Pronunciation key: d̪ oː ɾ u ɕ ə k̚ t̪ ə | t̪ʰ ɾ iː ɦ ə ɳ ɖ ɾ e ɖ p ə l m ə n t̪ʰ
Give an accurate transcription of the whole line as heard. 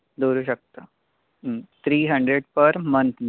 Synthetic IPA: d̪ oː ɾ u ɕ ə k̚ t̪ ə | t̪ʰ ɾ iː ɦ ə ɳ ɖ ɾ e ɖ p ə ɾ m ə n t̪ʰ